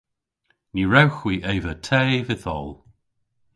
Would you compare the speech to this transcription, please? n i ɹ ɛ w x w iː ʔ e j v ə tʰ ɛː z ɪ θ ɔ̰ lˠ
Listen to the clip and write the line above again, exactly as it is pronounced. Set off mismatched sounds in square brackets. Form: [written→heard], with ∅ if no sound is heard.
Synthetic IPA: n i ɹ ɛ w x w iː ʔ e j v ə tʰ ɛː [z→v] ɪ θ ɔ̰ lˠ